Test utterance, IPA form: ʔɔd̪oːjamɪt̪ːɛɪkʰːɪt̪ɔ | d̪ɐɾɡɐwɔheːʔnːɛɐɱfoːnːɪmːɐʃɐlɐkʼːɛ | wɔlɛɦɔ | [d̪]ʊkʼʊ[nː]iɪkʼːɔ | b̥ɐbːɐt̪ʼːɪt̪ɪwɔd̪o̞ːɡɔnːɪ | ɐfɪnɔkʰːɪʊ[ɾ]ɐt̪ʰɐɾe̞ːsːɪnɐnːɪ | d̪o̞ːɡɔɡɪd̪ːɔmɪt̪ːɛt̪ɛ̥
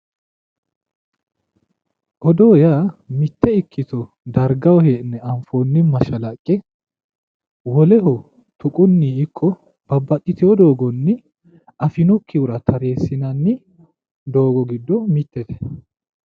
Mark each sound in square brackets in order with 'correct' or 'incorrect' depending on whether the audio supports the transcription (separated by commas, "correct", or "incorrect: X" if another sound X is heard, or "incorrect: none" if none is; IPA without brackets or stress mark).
incorrect: t̪, correct, correct